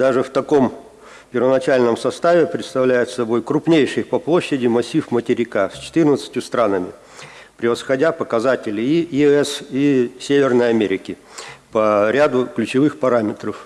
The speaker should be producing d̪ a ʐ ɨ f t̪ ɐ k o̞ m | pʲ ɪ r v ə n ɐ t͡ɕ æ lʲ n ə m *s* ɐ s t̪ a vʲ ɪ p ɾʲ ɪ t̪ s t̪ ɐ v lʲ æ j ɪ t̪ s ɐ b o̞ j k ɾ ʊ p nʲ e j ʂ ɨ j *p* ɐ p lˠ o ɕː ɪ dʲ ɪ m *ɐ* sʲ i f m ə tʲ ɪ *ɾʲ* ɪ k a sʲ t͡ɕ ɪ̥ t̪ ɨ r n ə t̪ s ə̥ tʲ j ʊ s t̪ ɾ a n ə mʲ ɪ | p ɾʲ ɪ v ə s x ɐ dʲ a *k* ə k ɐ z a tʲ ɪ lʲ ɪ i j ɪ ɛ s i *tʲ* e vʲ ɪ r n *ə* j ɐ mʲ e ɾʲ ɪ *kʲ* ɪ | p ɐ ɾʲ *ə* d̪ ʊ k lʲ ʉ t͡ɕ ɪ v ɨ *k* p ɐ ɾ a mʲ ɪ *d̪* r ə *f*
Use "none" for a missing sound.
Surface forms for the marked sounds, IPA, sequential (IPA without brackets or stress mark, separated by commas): s, p, ɐ, ɾʲ, p, sʲ, ə, kʲ, a, x, t̪, f